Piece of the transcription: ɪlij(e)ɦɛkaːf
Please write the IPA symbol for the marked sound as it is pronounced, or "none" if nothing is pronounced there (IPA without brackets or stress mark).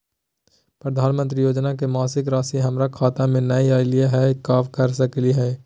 a